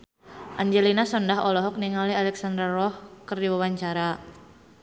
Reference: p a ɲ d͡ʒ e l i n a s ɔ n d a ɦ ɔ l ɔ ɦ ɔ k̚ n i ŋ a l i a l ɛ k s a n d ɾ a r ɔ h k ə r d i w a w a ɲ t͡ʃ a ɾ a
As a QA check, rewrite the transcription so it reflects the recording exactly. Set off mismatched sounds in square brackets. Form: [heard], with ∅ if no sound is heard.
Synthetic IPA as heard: [ʔ] a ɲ d͡ʒ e l i n a s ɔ n d a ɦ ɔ l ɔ ɦ ɔ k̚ n i ŋ a l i a l ɛ k s a n d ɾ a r ɔ h k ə r d i w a w a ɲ t͡ʃ a ɾ a